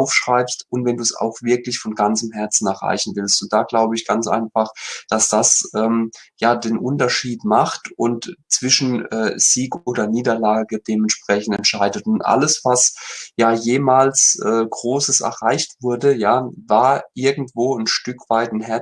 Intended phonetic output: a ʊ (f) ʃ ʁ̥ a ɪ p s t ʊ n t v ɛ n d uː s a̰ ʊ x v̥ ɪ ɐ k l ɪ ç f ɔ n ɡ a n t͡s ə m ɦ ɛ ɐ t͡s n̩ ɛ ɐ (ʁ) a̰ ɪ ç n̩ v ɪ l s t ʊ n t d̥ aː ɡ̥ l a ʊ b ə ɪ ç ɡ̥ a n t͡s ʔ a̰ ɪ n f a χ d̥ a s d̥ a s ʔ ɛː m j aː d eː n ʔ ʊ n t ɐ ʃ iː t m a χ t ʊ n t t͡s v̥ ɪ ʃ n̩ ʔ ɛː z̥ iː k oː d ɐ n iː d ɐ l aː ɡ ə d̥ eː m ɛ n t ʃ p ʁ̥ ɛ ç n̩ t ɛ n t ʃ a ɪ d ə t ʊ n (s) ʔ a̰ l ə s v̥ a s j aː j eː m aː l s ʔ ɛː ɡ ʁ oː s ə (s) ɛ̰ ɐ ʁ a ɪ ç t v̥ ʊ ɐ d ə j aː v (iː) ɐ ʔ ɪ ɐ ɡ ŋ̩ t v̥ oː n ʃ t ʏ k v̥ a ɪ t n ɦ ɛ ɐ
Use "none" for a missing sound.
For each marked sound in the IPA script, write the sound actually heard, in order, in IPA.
f, ʁ, t, s, aː

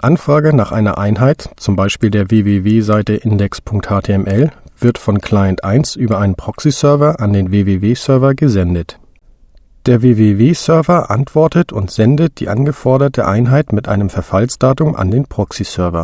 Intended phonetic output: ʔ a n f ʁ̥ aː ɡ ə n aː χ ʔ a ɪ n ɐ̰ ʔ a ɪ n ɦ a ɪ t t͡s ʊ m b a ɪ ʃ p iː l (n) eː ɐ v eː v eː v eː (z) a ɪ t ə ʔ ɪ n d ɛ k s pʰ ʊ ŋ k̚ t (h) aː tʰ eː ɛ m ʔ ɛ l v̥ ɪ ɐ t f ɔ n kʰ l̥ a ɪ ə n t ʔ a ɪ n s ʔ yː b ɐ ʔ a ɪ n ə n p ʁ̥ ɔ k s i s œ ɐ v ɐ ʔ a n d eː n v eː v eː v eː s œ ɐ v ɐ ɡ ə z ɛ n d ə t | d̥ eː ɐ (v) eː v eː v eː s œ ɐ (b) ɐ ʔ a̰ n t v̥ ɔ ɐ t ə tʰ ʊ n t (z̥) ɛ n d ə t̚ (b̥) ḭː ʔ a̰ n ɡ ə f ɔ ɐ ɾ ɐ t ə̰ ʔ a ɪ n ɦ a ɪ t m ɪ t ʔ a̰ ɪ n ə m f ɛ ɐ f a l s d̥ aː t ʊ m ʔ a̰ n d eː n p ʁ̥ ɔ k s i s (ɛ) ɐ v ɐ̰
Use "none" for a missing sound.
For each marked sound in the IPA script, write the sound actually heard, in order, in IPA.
d, z, h, v, v, z̥, d̥, œ

